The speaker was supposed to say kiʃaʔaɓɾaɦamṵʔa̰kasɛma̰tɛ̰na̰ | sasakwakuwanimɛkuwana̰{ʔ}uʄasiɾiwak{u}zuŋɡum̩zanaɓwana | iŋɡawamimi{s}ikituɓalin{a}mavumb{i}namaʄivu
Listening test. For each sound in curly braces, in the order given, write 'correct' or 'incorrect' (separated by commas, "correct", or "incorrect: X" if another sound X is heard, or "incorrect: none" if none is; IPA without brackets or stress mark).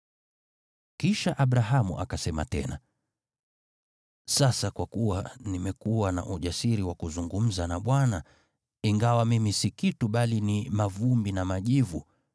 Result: correct, correct, correct, incorrect: i, correct